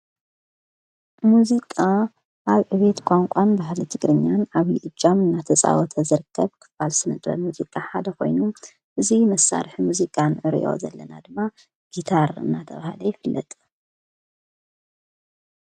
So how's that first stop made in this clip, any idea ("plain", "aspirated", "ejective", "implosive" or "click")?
ejective